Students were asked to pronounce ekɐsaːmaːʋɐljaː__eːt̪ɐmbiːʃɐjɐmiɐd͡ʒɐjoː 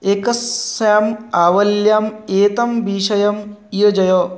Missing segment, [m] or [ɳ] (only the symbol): m